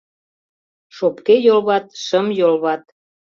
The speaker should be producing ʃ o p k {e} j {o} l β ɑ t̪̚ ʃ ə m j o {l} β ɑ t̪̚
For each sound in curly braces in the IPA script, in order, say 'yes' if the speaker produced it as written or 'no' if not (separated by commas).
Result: yes, yes, yes